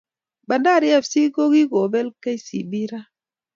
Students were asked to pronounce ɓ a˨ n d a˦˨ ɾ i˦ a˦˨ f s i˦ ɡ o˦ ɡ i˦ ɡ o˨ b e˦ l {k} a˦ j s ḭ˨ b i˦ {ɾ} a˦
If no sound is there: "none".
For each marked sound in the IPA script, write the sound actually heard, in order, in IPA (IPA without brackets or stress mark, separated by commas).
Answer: k, ɾ